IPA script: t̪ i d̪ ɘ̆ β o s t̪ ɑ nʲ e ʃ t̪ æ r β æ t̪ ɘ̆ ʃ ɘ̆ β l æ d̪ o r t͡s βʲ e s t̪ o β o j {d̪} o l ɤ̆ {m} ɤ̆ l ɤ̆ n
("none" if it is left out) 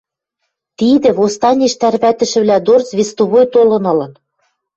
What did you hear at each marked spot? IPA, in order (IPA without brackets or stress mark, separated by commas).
t̪, n